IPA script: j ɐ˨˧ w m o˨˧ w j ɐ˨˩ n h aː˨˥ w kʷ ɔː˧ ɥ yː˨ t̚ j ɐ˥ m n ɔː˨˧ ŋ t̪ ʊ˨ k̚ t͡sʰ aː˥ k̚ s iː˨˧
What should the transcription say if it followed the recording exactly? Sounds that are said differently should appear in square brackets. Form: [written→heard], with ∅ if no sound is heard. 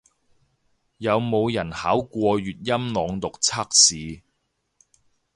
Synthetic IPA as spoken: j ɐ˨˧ w m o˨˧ w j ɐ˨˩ n h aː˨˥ w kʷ ɔː˧ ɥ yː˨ t̚ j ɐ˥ m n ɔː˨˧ ŋ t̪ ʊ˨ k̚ t͡sʰ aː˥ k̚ s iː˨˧